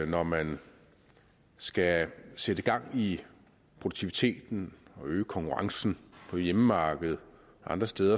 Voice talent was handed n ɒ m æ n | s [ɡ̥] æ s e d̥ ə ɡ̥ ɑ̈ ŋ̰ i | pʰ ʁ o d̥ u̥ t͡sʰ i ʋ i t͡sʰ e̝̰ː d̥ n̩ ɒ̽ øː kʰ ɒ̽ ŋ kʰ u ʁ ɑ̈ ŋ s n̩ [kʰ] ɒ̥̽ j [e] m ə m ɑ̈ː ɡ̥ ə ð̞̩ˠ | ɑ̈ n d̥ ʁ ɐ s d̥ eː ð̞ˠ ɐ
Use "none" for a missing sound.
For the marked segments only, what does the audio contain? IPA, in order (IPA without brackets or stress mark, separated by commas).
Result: ɡ̥, pʰ, e